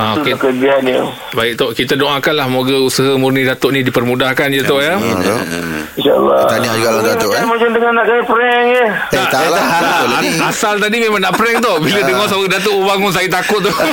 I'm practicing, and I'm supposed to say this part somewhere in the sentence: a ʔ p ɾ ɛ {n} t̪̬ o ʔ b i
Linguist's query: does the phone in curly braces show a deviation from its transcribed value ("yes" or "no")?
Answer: yes